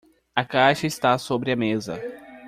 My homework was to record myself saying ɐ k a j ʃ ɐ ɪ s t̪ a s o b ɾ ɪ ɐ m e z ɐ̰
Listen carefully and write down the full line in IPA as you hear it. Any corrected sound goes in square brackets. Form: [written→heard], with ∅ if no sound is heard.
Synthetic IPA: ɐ k a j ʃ ɐ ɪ s t̪ a s o b ɾ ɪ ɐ m e z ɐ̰